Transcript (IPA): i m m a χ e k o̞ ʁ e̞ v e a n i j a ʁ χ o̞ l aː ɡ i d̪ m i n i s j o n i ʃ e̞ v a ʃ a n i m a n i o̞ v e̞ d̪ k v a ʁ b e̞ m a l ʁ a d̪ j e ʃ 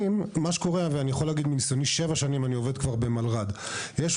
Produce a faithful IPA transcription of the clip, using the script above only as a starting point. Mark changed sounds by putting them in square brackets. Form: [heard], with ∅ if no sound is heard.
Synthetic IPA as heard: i m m a [ʃ] e k o̞ ʁ e̞ v e a n i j a [∅] χ o̞ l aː ɡ i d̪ m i n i s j o n i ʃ e̞ v a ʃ a n i m a n i o̞ v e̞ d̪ k v a ʁ b e̞ m a l ʁ a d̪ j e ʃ